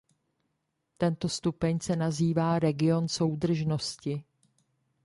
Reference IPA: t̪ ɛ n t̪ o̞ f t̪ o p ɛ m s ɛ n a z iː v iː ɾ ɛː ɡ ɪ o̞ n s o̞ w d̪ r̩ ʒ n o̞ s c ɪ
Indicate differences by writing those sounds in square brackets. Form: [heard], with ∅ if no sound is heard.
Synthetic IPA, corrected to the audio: t̪ ɛ n t̪ o̞ [s] t̪ [u] p ɛ [ɲ] s ɛ n a z iː v [aː] ɾ [ɛ] ɡ ɪ o̞ n s o̞ w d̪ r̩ ʒ n o̞ s c ɪ